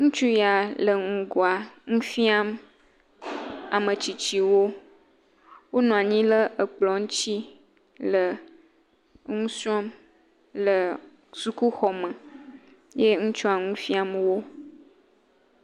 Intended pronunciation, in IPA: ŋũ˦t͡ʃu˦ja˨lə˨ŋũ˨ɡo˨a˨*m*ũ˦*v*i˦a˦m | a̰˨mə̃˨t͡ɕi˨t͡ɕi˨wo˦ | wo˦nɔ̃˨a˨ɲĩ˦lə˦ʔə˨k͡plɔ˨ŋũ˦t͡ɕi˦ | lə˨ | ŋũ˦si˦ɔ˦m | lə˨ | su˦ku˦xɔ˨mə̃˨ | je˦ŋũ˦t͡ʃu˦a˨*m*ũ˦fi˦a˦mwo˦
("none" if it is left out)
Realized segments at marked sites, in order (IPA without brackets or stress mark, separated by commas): ŋ, f, ŋ